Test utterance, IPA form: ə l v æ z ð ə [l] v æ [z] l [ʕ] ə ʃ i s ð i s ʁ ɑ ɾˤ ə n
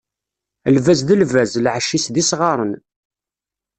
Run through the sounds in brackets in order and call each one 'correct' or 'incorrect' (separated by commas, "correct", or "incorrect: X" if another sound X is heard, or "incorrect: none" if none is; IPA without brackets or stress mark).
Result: correct, correct, correct